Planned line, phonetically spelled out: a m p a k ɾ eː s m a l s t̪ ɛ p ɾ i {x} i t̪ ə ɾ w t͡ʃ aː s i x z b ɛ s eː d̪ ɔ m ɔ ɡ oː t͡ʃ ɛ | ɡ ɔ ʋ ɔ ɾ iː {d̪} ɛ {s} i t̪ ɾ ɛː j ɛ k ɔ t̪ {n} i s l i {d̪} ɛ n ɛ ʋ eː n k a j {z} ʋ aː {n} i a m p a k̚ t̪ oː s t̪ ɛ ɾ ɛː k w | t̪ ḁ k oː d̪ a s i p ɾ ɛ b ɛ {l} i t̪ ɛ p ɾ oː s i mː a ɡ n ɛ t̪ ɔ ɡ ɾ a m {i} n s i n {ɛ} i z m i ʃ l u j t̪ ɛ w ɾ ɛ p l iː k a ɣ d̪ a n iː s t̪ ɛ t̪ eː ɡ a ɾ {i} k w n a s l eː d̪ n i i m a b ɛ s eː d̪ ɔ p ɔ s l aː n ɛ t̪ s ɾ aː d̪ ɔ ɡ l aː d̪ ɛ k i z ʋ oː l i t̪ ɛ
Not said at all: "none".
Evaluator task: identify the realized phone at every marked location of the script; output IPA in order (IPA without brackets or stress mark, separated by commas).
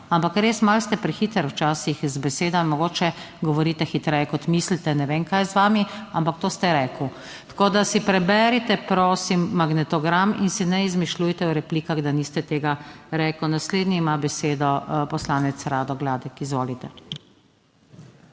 x, t̪, x, m, t̪, z, m, ɾ, i, ɛ, ɛ